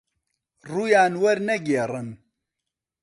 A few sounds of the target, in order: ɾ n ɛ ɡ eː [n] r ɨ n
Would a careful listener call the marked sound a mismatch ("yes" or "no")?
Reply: yes